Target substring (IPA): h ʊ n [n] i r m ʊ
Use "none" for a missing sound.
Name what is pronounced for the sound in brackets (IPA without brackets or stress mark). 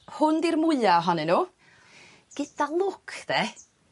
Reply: d